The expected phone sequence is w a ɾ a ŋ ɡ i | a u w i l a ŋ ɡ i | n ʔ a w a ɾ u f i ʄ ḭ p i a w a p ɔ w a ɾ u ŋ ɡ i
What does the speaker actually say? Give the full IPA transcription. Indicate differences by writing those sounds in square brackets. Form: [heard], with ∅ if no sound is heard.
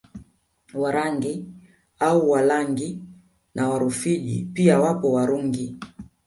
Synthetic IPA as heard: w a ɾ a ŋ ɡ i | a u w [a] l a ŋ ɡ i | n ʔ a w a ɾ u f i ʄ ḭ p i a w a p ɔ w a ɾ u ŋ ɡ i